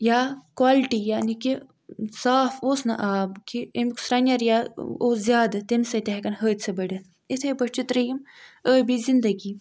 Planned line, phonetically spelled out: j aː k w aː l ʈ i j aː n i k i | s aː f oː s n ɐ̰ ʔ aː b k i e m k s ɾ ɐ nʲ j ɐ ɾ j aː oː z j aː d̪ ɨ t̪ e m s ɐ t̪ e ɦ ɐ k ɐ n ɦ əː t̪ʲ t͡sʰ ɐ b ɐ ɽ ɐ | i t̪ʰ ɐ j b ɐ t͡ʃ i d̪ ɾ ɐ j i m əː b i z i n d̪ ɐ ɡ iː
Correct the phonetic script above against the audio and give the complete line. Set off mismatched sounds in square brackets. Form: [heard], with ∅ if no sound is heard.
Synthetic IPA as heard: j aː k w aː l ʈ i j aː n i k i | s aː f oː s n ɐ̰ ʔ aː b k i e m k s ɾ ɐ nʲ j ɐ ɾ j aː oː z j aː d̪ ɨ t̪ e m s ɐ t̪ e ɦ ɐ k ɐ n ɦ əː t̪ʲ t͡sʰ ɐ b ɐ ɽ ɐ | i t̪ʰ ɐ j b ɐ t͡ʃ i [t̪] ɾ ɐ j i m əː b i z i n d̪ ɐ ɡ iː